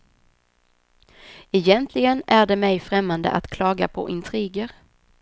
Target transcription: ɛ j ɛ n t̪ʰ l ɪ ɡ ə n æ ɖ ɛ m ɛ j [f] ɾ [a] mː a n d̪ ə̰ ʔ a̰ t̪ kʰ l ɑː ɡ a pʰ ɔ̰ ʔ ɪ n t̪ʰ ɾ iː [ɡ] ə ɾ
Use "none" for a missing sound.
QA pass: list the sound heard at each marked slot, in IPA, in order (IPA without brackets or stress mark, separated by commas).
f, ɛ, ɡ